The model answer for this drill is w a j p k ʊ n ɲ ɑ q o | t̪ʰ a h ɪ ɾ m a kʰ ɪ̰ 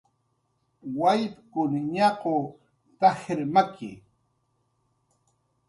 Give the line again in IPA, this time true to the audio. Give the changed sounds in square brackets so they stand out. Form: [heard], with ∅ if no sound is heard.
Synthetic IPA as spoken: w a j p k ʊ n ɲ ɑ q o | [t̪] a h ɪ ɾ m a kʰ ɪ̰

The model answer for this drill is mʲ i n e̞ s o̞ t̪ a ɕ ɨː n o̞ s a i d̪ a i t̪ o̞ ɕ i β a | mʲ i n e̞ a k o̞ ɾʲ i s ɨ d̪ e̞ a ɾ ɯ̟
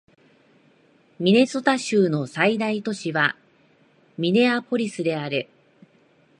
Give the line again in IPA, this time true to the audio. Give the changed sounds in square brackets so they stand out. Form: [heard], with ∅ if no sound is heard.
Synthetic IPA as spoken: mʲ i n e̞ s o̞ t̪ a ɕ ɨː n o̞ s a i d̪ a i t̪ o̞ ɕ i β a | mʲ i n e̞ a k o̞ ɾʲ i s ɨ d̪ e̞ a ɾ ɯ̟

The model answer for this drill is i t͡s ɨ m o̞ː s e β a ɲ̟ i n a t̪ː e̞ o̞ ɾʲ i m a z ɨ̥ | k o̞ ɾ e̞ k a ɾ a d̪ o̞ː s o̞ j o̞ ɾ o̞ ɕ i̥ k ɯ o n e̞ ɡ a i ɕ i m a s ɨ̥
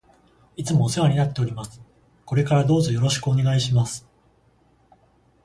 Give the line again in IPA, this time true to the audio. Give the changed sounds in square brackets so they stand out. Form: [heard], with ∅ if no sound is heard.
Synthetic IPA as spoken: i t͡s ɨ m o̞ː s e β a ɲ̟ i n a t̪ː e̞ o̞ ɾʲ i m a [s] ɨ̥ | k o̞ ɾ e̞ k a ɾ a d̪ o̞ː [z] o̞ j o̞ ɾ o̞ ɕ i̥ k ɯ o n e̞ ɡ a i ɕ i m a s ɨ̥

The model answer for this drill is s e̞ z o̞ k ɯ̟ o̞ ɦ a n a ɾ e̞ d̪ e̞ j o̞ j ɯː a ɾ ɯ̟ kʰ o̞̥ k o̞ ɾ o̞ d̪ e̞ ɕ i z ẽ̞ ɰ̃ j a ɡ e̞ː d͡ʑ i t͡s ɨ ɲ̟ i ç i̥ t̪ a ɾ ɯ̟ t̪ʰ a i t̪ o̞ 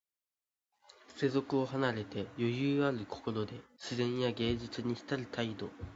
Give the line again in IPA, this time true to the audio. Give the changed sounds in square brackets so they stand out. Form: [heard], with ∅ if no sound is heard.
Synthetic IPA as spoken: s e̞ z o̞ k ɯ̟ o̞ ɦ a n a ɾ e̞ [t̪] e̞ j o̞ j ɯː a ɾ ɯ̟ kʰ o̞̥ k o̞ ɾ o̞ d̪ e̞ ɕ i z ẽ̞ ɰ̃ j a ɡ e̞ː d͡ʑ i t͡s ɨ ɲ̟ i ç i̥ t̪ a ɾ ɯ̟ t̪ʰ a i [d̪] o̞

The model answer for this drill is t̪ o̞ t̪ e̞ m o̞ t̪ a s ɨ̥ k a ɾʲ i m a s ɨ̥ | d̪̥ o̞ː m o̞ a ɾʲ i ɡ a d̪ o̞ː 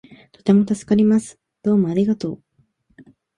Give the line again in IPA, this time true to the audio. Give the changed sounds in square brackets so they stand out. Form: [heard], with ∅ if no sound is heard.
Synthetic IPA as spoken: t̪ o̞ t̪ e̞ m o̞ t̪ a s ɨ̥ k a ɾʲ i m a s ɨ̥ | d̪̥ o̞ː m o̞ a ɾʲ i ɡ a [t̪] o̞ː

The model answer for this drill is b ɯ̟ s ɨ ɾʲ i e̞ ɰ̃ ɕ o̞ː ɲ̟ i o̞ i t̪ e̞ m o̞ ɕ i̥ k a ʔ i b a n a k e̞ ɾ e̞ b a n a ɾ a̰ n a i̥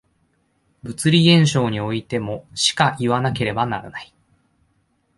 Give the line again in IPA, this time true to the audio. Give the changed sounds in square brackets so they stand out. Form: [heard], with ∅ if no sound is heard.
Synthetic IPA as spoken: b ɯ̟ [t͡s] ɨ ɾʲ i [ẽ̞] ɰ̃ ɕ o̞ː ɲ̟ i o̞ i t̪ e̞ m o̞ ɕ i̥ k a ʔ i [β] a n a k e̞ ɾ e̞ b a n a ɾ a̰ n a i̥

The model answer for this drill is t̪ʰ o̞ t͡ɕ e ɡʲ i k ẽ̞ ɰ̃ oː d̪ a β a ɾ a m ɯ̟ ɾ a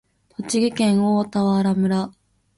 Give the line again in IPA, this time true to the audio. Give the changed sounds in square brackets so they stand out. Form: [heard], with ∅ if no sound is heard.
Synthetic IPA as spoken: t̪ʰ o̞ t͡ɕ [i] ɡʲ i k ẽ̞ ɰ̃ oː [t̪] a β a ɾ a m ɯ̟ ɾ a

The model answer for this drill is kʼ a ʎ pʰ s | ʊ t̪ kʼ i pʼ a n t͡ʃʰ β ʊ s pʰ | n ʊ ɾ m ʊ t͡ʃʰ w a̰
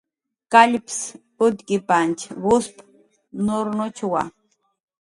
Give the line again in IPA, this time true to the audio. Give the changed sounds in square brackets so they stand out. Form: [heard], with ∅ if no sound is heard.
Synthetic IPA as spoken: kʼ a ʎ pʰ s | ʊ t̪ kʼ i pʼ a n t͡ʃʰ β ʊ s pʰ | n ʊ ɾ [n] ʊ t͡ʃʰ w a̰

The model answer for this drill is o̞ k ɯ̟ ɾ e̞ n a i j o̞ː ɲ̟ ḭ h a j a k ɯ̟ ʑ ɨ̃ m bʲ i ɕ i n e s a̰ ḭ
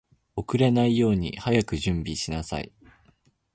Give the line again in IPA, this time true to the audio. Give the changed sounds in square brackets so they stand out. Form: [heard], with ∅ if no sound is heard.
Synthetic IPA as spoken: o̞ k ɯ̟ ɾ e̞ n a i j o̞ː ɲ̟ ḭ h a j a k ɯ̟ ʑ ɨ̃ m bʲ i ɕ i n [a] s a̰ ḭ

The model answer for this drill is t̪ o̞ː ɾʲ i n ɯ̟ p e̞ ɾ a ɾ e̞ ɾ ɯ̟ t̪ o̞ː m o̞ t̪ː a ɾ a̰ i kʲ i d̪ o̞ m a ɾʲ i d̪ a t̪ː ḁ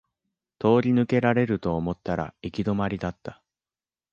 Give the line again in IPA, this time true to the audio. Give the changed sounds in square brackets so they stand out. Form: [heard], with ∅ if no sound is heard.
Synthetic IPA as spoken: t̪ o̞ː ɾʲ i n ɯ̟ [k] e̞ ɾ a ɾ e̞ ɾ ɯ̟ t̪ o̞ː m o̞ t̪ː a ɾ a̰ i kʲ i d̪ o̞ m a ɾʲ i d̪ a t̪ː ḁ

